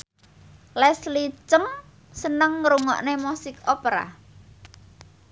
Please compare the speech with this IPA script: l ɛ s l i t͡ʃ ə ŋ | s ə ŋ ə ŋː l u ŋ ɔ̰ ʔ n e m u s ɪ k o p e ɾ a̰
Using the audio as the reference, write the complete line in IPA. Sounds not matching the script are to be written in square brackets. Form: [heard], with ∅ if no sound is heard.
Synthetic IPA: l ɛ s l i t͡ʃ ə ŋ | s ə [n] ə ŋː [ɾ] u ŋ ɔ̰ ʔ n e m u s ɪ k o p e ɾ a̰